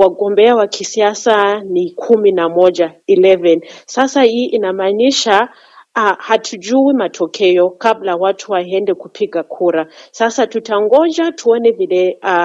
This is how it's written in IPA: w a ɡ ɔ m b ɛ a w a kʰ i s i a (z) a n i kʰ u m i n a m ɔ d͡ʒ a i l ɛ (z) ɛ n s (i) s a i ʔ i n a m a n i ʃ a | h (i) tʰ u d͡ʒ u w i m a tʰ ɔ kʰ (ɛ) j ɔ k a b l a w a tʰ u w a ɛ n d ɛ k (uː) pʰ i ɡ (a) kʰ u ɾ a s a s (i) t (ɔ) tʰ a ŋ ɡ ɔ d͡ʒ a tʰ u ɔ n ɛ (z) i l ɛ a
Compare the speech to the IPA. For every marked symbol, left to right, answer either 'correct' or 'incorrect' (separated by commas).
incorrect, incorrect, incorrect, incorrect, correct, incorrect, correct, incorrect, incorrect, incorrect